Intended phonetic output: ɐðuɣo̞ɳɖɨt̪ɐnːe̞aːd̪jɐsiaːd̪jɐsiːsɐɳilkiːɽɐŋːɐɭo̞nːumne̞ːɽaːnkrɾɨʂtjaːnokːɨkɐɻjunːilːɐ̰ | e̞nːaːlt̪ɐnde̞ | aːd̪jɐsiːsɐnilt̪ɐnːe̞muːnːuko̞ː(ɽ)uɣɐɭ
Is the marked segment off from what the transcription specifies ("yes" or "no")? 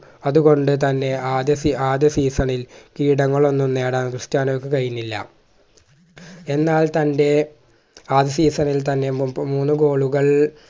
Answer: yes